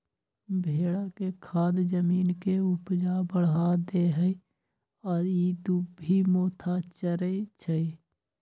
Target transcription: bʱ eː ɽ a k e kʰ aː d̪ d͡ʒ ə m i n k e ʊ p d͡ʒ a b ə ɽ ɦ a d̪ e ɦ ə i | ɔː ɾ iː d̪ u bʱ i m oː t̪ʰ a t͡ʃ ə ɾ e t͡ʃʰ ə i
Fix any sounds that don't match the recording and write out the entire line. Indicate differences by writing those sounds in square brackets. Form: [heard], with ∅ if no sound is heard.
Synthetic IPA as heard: bʱ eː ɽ a k e kʰ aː d̪ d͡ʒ ə m [iː] n k e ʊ p d͡ʒ a b ə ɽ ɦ a d̪ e ɦ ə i | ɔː ɾ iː d̪ u bʱ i m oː t̪ʰ a t͡ʃ ə ɾ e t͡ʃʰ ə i